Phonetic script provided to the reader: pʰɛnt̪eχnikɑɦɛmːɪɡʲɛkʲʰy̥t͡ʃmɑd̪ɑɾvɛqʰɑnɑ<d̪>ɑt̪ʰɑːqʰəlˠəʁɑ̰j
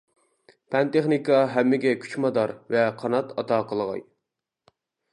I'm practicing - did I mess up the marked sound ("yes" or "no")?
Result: yes